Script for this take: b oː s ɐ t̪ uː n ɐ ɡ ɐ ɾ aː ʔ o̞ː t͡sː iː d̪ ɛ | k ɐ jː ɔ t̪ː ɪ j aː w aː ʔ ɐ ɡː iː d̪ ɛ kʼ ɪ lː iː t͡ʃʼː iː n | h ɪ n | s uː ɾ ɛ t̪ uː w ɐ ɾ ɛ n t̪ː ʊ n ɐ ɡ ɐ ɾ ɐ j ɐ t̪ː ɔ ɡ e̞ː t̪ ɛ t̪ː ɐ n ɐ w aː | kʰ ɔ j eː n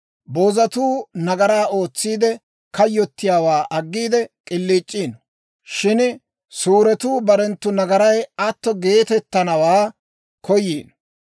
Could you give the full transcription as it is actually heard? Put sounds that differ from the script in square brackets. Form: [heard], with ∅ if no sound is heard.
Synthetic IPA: b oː [z] ɐ t̪ uː n ɐ ɡ ɐ ɾ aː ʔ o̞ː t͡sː iː d̪ ɛ | k ɐ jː ɔ t̪ː ɪ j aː w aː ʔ ɐ ɡː iː d̪ ɛ kʼ ɪ lː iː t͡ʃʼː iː n | [ʃ] ɪ n | s uː ɾ ɛ t̪ uː [b] ɐ ɾ ɛ n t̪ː ʊ n ɐ ɡ ɐ ɾ ɐ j ɐ t̪ː ɔ ɡ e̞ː t̪ ɛ t̪ː ɐ n ɐ w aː | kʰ ɔ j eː n